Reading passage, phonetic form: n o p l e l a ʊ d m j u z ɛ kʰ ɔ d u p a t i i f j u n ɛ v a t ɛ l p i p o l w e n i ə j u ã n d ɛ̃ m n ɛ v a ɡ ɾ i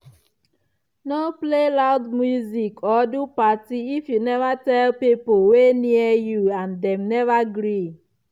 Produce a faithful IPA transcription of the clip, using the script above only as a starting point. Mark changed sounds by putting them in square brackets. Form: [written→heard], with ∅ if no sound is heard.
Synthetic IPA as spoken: n o p l e l a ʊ d m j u z [ɛ→i] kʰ ɔ d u p a t i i f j u n ɛ v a t ɛ l p i p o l w e n i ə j u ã n d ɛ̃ m n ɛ v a ɡ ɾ i